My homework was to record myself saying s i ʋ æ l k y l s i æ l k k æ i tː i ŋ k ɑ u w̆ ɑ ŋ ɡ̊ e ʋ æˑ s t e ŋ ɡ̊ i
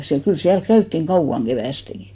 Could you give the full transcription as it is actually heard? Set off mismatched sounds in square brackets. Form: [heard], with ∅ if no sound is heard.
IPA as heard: s i [∅] æ l k y l s i æ l k k æ [y] tː i ŋ k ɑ u w̆ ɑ ŋ ɡ̊ e ʋ æˑ s t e ŋ ɡ̊ i